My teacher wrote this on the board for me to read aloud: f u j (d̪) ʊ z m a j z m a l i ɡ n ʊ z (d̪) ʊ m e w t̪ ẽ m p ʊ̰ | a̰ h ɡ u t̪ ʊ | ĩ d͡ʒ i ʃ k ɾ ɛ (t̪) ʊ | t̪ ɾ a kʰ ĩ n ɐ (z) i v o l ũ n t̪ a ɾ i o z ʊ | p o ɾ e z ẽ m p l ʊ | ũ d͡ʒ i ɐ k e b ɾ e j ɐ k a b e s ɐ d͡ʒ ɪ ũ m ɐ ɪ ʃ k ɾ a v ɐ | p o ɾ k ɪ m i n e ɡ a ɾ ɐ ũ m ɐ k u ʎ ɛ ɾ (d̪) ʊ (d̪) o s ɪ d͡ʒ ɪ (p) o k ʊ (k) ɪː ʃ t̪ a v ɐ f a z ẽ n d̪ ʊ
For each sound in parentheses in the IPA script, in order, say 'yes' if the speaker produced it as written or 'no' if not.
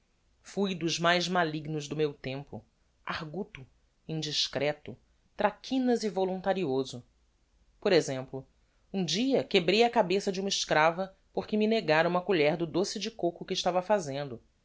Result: yes, yes, yes, yes, yes, yes, no, yes

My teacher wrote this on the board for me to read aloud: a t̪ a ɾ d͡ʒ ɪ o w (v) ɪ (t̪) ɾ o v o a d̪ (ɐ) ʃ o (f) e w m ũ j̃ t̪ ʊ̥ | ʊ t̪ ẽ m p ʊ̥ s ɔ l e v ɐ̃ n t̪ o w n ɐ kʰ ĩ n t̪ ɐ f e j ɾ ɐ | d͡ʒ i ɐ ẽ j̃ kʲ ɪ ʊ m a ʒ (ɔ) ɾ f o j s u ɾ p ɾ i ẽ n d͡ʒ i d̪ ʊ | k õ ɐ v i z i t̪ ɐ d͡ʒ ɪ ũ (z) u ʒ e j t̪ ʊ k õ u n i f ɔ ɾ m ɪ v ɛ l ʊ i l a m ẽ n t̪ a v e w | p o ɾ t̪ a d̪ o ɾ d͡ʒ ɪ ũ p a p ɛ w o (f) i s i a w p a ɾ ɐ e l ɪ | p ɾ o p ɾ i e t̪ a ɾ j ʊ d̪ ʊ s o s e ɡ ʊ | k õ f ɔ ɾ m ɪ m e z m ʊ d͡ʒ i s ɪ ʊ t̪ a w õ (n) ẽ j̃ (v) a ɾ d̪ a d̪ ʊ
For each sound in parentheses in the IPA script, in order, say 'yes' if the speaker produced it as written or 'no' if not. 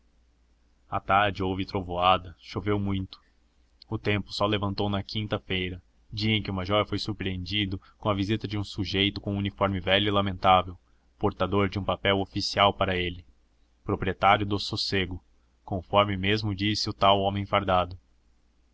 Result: yes, yes, yes, no, yes, no, yes, no, no

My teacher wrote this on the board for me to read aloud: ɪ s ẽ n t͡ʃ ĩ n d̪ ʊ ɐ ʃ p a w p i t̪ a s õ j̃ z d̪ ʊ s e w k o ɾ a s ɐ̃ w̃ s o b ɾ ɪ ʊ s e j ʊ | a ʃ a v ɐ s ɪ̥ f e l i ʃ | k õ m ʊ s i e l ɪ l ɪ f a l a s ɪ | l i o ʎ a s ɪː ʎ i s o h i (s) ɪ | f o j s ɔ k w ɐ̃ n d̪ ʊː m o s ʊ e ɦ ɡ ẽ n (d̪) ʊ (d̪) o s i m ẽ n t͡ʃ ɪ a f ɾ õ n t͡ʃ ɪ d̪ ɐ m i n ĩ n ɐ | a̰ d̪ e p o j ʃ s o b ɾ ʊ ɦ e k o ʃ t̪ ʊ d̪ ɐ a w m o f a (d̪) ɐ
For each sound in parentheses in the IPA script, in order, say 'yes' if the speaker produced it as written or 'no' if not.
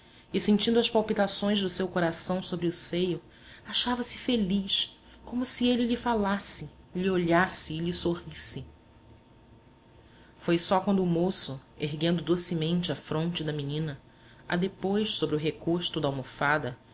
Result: yes, yes, yes, yes

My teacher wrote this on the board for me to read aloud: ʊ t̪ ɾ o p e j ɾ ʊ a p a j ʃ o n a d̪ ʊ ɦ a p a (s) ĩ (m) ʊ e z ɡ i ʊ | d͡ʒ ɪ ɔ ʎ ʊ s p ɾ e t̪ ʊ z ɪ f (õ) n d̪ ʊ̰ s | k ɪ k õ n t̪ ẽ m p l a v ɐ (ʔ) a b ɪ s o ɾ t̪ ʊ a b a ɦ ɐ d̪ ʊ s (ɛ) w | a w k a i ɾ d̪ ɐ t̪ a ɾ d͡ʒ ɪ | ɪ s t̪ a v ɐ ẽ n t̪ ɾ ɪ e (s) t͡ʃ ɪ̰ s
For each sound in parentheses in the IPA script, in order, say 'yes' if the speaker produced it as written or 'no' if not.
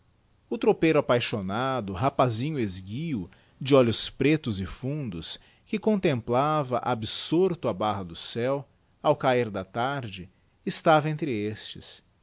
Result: no, no, no, yes, yes, yes

